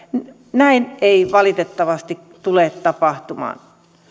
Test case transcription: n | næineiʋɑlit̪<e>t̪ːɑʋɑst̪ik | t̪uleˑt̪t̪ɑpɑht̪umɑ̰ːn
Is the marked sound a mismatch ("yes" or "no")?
no